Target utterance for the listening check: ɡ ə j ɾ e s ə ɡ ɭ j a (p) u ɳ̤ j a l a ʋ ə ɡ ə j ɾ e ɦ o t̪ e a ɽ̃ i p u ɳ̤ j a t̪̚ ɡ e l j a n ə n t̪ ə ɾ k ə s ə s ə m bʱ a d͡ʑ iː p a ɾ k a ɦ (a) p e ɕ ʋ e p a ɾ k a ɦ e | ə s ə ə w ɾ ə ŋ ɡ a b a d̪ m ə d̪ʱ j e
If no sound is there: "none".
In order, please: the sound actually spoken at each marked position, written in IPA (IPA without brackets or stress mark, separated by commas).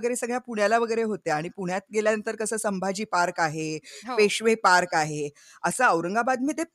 p, e